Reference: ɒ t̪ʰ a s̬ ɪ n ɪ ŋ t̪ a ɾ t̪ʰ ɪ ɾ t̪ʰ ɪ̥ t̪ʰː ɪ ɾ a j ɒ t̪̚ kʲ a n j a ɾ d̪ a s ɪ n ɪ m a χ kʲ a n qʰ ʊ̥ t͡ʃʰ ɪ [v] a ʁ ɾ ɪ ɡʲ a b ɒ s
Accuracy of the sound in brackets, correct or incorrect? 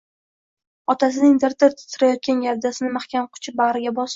incorrect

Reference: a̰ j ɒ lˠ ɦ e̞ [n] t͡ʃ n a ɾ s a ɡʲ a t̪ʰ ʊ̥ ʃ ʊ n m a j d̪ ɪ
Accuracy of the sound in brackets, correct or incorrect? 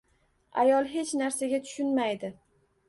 incorrect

